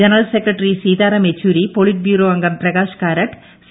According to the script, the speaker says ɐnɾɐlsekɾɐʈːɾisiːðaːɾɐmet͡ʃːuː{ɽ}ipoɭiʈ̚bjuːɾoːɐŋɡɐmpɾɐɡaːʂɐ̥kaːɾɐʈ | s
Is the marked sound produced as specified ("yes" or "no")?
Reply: no